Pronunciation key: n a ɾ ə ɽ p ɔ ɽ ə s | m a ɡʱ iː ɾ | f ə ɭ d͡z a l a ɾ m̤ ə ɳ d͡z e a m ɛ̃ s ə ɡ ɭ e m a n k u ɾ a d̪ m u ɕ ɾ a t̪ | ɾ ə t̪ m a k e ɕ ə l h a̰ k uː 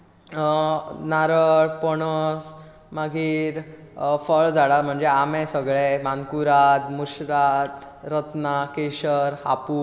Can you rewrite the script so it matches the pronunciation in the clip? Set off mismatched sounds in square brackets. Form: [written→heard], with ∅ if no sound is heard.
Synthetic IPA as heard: n a ɾ ə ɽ p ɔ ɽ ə s | m a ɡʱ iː ɾ | f ə ɭ d͡z a [l→ɽ] a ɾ m̤ ə ɳ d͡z e a m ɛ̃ s ə ɡ ɭ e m a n k u ɾ a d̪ m u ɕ ɾ a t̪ | ɾ ə t̪ [m→n] a k e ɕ ə [l→ɾ] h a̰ [k→p] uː